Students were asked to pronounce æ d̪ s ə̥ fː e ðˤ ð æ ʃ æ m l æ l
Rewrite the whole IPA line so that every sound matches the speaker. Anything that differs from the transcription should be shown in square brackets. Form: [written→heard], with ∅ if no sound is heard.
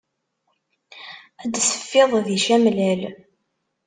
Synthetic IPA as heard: æ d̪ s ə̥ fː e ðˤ ð [æ→i] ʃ æ m l æ l